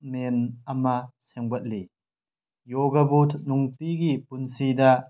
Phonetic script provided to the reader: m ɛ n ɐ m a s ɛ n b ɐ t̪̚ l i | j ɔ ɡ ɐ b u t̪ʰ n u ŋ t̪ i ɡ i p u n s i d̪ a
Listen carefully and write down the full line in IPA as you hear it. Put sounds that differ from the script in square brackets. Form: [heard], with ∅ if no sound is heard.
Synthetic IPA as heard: m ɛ n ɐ m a s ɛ [ŋ] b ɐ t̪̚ l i | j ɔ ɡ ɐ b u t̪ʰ n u ŋ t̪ i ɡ i p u n s i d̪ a